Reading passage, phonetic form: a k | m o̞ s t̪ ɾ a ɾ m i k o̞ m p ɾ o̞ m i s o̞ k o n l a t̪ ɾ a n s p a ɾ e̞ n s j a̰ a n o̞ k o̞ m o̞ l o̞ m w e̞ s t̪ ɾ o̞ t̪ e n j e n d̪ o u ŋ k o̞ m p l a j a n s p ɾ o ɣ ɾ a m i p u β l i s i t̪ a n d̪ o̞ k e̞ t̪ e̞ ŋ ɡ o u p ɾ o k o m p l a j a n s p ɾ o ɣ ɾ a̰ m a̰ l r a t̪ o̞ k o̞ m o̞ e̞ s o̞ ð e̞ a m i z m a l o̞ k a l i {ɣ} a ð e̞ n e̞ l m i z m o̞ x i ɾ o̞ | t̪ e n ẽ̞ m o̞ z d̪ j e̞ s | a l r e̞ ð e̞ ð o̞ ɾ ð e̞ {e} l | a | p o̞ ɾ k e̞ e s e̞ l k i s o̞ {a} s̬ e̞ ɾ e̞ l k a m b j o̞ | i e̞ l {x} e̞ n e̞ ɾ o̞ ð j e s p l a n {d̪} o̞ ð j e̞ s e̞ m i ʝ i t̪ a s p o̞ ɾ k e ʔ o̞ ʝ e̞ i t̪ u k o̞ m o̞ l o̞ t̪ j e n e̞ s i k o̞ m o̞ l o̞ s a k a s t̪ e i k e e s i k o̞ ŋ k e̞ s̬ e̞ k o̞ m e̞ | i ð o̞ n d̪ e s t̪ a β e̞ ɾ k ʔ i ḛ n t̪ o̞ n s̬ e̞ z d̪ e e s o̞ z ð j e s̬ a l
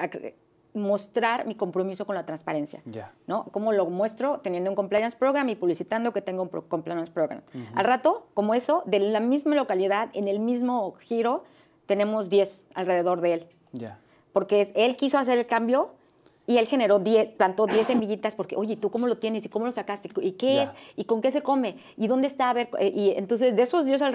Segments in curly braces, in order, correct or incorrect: incorrect: ð, correct, correct, correct, incorrect: t̪

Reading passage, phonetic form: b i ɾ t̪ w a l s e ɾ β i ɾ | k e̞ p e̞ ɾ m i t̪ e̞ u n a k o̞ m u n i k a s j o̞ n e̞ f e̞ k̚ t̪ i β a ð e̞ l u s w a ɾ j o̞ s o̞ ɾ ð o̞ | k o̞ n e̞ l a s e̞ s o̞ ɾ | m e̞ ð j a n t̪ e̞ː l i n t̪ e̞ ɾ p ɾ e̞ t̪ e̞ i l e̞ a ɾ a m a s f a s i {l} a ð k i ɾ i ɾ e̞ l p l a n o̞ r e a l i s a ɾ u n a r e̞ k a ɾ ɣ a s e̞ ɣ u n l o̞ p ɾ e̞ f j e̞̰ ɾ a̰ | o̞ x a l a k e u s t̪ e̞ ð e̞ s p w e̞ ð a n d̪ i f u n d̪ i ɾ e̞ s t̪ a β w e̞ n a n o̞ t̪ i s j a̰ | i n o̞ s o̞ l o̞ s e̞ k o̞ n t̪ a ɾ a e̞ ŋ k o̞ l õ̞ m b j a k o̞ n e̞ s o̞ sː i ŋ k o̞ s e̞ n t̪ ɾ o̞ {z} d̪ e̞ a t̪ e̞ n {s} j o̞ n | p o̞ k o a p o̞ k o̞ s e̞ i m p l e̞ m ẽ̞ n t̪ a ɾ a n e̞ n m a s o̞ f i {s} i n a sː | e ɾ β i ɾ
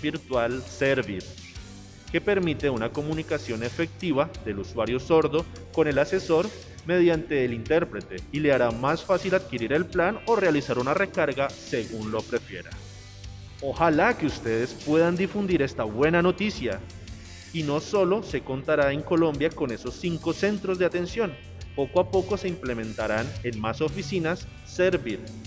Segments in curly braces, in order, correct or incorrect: correct, correct, correct, correct

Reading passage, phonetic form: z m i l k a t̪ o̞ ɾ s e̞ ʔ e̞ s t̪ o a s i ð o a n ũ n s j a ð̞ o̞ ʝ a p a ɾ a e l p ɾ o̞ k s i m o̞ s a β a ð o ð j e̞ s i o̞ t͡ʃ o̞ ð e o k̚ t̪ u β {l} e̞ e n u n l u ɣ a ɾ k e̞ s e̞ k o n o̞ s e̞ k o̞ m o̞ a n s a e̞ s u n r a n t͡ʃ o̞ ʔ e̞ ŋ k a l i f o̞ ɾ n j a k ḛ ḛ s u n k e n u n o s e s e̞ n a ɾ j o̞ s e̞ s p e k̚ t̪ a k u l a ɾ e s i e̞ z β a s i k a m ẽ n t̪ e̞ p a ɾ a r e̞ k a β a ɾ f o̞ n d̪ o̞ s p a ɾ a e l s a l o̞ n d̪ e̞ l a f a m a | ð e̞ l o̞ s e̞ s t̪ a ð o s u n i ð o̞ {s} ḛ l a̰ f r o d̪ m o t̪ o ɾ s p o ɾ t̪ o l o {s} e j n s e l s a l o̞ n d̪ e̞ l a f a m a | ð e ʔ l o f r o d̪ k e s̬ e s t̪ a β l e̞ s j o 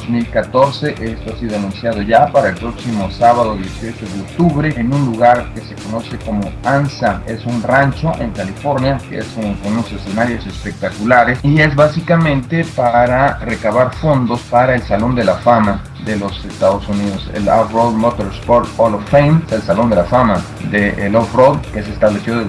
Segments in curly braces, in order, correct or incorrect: incorrect: ɾ, correct, incorrect: f

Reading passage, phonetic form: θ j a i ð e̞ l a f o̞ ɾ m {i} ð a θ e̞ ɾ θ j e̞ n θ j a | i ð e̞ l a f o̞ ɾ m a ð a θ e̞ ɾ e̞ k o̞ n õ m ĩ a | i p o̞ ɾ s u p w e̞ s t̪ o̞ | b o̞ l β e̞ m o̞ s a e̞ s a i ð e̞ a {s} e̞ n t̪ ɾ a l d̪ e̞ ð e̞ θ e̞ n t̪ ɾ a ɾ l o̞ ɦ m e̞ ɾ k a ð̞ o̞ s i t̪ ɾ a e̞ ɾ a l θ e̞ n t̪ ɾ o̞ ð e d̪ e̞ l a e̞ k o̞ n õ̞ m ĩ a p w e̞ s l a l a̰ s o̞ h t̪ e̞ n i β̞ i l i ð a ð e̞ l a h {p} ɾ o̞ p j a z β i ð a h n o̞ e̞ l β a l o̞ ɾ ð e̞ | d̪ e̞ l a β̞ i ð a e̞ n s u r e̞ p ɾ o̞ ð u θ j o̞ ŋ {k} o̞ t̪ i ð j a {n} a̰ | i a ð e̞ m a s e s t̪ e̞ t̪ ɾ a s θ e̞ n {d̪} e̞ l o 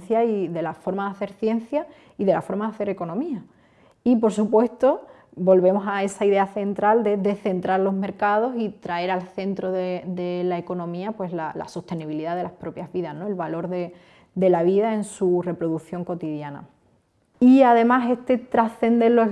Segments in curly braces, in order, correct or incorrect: incorrect: a, incorrect: θ, correct, correct, correct, correct

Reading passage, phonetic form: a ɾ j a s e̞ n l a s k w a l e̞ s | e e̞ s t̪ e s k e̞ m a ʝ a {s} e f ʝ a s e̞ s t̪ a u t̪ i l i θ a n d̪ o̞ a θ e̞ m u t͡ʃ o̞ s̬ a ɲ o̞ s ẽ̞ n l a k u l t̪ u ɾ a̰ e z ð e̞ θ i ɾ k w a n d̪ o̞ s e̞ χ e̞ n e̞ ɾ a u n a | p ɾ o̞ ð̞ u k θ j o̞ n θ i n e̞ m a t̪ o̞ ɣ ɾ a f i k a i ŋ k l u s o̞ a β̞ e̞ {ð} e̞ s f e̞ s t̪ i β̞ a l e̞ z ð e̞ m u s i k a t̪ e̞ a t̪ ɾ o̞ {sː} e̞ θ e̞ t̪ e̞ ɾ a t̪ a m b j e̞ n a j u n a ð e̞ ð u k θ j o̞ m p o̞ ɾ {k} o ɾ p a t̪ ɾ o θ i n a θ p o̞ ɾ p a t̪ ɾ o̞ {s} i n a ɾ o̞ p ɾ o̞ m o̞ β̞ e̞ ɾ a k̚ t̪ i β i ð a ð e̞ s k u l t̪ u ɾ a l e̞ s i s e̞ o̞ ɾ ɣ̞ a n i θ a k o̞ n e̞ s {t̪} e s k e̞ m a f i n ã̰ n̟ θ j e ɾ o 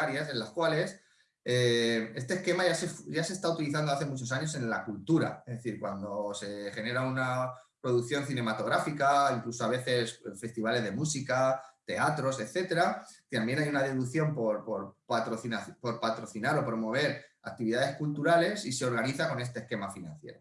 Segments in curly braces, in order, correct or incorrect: correct, incorrect: θ, incorrect: s, incorrect: p, incorrect: θ, correct

